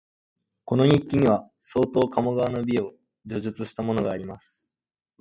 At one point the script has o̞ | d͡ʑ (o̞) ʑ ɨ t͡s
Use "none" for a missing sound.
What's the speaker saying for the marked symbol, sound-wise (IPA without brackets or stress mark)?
o̞